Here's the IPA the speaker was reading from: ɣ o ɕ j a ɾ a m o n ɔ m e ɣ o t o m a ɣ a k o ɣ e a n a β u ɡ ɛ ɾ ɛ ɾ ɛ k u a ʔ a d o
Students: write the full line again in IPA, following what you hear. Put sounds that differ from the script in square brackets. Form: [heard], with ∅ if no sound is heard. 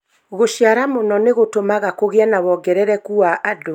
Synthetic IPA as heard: ɣ o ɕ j a ɾ a m o n ɔ [n] e ɣ o t o m a ɣ a k o ɣ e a n a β [ɔ] ɡ ɛ ɾ ɛ ɾ ɛ k u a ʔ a d o